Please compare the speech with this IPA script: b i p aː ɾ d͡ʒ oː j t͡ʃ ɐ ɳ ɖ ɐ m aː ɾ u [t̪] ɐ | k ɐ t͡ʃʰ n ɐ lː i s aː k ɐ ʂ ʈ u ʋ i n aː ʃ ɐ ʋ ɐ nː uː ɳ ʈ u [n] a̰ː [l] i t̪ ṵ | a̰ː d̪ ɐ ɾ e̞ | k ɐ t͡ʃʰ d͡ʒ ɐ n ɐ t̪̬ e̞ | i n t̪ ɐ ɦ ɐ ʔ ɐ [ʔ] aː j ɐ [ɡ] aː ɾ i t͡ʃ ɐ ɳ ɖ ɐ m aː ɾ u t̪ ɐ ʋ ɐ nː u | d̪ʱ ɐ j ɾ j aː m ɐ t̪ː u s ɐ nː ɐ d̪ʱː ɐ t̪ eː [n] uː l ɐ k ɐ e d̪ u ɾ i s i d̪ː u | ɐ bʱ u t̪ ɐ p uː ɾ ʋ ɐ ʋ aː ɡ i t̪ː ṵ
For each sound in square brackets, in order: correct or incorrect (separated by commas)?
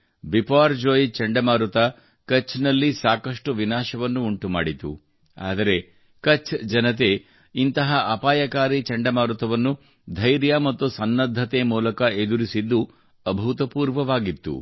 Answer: correct, incorrect, incorrect, incorrect, incorrect, incorrect